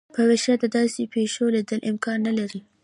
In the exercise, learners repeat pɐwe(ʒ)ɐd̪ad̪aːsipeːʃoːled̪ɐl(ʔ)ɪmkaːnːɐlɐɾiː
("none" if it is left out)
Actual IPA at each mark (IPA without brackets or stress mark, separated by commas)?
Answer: ʃ, ʔ